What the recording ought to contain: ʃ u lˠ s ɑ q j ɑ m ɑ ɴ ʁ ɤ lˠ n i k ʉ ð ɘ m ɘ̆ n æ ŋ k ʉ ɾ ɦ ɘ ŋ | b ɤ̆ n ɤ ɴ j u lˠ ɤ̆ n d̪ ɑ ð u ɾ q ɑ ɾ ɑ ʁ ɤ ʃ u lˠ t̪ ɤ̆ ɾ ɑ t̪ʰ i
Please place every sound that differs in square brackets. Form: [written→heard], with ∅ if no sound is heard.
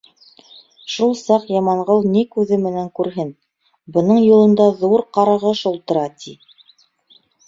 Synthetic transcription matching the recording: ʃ u lˠ s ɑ q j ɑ m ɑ ɴ ʁ ɤ lˠ n i k ʉ ð ɘ m ɘ̆ n æ ŋ k ʉ ɾ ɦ ɘ [ŋ→n] | b ɤ̆ n ɤ ɴ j u lˠ ɤ̆ n d̪ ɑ ð u ɾ q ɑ ɾ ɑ ʁ ɤ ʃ u lˠ t̪ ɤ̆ ɾ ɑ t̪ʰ i